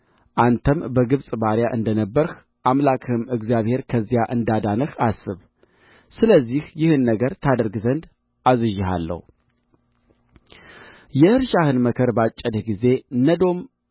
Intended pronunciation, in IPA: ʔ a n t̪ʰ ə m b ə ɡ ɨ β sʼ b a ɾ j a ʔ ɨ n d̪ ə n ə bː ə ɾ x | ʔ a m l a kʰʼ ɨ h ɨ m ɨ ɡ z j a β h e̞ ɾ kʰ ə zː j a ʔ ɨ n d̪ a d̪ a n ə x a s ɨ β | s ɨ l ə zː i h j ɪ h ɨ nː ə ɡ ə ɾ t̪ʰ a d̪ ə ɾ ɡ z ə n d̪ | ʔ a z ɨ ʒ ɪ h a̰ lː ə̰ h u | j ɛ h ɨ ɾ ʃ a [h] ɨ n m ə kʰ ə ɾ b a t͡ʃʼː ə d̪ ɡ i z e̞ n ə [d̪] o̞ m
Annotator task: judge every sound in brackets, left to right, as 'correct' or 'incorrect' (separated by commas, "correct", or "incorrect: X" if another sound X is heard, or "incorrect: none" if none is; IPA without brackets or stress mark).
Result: correct, correct